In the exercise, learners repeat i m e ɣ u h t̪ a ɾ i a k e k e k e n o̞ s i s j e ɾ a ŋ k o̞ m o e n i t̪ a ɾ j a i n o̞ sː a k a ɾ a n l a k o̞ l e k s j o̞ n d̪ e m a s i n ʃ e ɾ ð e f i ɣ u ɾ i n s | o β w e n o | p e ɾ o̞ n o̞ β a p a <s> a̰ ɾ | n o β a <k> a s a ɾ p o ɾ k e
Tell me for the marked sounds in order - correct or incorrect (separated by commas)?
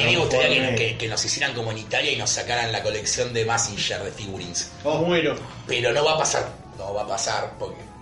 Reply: correct, incorrect